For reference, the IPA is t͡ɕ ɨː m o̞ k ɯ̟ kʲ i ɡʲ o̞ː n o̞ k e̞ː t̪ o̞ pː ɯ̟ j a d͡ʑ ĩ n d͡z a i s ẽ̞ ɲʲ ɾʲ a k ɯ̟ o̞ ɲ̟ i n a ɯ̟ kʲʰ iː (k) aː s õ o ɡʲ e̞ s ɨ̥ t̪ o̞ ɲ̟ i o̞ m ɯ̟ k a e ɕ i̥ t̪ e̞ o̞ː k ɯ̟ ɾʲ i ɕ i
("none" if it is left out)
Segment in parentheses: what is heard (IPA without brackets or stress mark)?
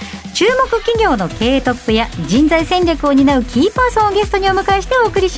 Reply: p